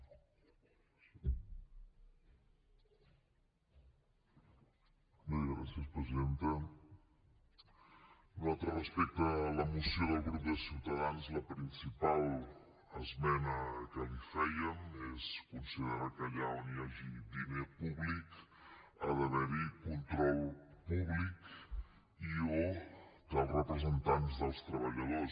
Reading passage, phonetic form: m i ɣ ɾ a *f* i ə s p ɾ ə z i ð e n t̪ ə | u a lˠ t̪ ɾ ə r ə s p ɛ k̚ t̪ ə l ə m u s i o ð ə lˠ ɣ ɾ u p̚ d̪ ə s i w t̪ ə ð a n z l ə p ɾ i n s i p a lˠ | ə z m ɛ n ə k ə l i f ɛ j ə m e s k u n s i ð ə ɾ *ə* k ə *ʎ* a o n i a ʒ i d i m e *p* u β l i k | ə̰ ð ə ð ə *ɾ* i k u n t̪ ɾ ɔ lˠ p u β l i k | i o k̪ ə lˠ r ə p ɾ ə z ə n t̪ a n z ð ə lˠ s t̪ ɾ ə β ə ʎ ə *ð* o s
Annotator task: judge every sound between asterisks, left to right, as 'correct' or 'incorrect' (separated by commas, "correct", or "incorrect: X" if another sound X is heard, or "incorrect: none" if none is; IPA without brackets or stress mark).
incorrect: s, incorrect: a, correct, correct, correct, correct